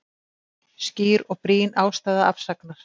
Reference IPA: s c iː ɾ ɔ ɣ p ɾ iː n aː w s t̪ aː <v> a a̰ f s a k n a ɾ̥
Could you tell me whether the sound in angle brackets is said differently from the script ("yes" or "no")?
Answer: yes